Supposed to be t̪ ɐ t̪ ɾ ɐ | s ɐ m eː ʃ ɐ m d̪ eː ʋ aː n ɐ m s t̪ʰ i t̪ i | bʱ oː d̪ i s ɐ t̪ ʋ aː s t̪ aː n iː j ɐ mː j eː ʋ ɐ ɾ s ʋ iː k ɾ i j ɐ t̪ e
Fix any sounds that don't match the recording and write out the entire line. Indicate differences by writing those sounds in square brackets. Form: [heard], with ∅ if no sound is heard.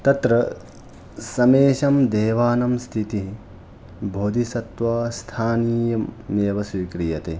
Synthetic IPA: t̪ ɐ t̪ ɾ ɐ | s ɐ m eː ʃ ɐ m d̪ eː ʋ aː n ɐ m s t̪ʰ i t̪ i | bʱ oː d̪ i s ɐ t̪ ʋ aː s [t̪ʰ] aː n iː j ɐ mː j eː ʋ ɐ [∅] s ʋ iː k ɾ i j ɐ t̪ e